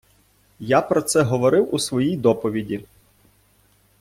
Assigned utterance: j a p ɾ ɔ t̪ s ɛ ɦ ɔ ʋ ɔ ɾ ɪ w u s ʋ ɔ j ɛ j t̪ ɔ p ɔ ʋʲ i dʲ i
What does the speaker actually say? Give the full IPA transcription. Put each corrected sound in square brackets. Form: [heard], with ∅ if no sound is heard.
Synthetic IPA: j a p ɾ ɔ t̪ s ɛ ɦ ɔ ʋ ɔ ɾ ɪ w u s ʋ ɔ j [i] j [d̪] ɔ p ɔ ʋʲ i dʲ i